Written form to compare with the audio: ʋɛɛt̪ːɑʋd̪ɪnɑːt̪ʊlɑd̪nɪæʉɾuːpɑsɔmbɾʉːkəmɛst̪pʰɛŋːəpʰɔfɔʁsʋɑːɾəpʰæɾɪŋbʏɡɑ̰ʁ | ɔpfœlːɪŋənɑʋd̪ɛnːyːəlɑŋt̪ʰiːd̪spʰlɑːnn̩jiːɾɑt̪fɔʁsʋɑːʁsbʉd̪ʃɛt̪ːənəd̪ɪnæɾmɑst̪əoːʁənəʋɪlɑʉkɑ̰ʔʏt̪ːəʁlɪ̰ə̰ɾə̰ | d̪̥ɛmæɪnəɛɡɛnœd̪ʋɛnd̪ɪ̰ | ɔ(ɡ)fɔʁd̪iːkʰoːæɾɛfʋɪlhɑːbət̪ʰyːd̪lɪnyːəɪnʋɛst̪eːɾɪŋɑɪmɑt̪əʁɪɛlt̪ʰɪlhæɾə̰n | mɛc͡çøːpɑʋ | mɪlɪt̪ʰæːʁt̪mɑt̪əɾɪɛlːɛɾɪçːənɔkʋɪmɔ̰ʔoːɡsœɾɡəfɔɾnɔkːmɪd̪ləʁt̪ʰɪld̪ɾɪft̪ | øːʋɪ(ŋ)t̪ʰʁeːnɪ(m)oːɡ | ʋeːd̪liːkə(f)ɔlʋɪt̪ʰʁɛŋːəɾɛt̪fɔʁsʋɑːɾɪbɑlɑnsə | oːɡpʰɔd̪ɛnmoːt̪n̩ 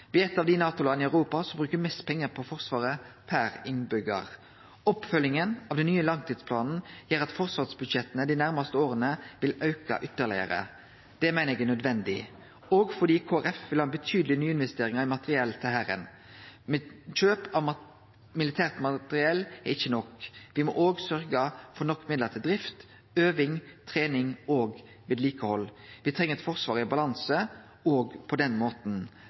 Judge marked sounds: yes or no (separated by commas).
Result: yes, yes, no, no